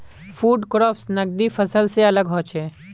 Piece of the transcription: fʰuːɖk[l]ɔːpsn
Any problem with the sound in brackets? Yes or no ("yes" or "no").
yes